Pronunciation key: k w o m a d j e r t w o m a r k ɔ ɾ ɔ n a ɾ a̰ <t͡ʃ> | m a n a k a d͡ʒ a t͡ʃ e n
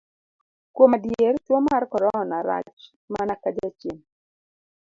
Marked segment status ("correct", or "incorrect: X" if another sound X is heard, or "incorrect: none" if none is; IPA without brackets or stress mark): correct